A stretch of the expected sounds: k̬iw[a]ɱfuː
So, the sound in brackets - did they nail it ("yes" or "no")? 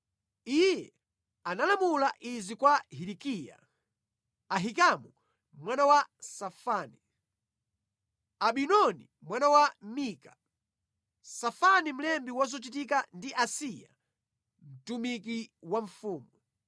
yes